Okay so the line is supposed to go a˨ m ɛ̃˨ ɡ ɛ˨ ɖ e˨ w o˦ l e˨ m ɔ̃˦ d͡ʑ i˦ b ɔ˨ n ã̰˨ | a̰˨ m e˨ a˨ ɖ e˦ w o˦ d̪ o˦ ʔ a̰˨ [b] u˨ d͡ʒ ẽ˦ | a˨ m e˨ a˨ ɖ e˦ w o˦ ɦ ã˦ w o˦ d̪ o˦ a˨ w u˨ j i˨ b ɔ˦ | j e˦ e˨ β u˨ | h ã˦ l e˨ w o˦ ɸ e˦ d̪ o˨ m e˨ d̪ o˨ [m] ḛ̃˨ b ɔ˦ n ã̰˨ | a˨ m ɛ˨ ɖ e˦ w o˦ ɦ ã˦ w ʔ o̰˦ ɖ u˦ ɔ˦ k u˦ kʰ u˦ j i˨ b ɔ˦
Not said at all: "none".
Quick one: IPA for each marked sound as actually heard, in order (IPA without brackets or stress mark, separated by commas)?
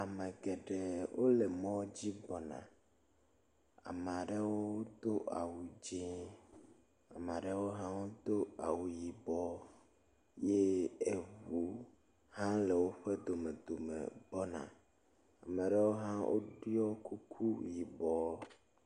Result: w, m